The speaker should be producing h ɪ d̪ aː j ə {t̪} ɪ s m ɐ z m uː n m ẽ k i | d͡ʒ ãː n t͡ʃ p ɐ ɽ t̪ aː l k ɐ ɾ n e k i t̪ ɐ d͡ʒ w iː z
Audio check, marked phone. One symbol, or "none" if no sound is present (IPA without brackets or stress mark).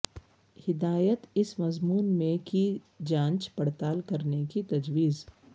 t̪